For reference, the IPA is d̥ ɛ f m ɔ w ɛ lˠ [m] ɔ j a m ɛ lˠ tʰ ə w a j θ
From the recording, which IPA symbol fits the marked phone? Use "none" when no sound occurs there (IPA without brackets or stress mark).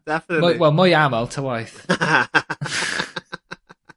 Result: m